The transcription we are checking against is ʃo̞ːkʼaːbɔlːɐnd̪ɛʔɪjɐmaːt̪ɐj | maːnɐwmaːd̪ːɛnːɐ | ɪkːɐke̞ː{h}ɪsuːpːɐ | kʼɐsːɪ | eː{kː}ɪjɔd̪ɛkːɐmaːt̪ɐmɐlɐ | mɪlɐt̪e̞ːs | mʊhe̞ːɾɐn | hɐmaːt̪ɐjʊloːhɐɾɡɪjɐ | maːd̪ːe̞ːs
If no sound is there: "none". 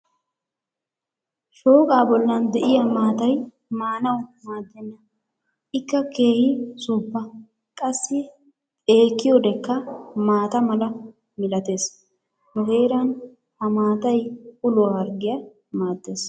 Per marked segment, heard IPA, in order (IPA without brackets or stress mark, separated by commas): h, kː